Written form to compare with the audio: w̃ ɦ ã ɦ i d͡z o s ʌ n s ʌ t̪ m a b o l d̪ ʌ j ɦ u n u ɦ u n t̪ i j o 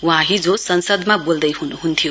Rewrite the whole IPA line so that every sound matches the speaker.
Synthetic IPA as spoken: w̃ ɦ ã ɦ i d͡z o s ʌ n s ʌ d̪ m a b o l d̪ ʌ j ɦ u n u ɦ u n t̪ʰ i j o